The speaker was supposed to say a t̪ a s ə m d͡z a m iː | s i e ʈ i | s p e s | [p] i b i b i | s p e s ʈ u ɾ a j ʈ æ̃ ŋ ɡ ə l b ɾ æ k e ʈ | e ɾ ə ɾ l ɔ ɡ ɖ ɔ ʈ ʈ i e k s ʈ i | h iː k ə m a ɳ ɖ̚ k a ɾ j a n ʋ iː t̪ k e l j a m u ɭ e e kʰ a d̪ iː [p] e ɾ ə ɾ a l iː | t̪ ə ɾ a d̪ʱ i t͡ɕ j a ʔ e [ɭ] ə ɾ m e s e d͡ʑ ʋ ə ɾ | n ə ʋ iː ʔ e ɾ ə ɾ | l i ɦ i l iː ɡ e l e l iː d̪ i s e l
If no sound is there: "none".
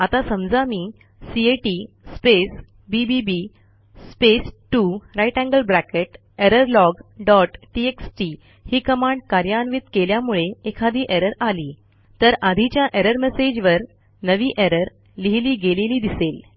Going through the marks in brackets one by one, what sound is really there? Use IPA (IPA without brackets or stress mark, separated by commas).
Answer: b, ʔ, ɾ